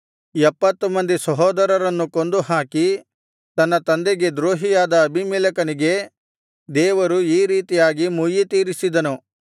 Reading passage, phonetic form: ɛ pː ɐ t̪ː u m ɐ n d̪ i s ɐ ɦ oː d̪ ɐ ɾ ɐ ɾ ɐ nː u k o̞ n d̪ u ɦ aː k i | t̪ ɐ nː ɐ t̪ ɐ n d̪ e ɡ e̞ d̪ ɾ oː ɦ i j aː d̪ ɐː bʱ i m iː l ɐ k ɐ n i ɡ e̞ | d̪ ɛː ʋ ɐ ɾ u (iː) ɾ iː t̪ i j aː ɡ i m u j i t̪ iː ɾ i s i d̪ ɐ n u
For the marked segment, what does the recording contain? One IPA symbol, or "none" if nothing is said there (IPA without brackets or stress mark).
iː